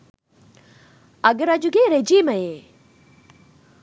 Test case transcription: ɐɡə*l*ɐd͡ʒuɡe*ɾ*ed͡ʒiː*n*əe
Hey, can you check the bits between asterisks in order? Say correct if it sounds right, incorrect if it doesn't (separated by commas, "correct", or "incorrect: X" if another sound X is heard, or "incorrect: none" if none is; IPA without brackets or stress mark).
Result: incorrect: ɾ, correct, incorrect: m